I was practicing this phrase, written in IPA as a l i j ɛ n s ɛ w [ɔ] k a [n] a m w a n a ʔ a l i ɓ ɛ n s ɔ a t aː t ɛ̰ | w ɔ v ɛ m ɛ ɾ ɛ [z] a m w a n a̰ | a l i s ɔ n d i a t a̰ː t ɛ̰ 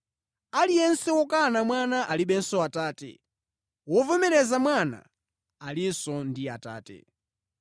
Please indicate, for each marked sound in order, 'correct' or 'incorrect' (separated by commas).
correct, correct, correct